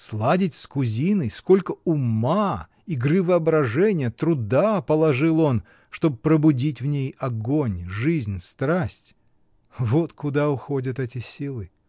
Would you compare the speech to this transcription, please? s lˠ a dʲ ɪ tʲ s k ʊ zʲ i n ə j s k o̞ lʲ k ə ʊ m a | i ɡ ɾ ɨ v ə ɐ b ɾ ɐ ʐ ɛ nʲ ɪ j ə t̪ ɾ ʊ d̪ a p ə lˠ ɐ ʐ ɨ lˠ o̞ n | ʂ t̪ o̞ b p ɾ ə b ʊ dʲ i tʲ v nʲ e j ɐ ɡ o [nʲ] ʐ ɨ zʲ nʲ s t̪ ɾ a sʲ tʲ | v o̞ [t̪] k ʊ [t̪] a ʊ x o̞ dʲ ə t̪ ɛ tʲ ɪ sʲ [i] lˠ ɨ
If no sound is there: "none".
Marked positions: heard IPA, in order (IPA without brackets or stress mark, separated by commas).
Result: nʲ, t̪, d̪, i